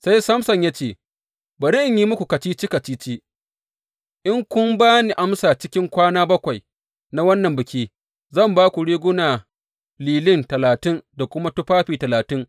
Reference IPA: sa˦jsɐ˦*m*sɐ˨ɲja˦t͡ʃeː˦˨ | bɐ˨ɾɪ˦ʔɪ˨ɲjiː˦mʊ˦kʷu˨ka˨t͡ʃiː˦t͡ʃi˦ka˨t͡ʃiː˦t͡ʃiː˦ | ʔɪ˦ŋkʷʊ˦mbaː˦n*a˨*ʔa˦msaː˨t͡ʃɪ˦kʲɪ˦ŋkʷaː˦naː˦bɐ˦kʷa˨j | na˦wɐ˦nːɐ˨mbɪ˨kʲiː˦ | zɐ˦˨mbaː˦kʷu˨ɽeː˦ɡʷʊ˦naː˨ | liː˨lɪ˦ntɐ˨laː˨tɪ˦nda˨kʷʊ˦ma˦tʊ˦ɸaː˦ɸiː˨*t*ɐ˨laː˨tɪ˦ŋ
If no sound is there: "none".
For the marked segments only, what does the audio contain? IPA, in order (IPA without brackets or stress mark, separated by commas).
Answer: m, i˨, t